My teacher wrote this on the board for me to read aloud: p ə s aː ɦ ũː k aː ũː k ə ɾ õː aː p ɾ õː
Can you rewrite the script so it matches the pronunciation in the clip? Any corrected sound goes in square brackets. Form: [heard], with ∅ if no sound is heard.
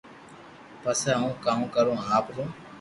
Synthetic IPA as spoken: p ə s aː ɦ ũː k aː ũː k ə ɾ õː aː p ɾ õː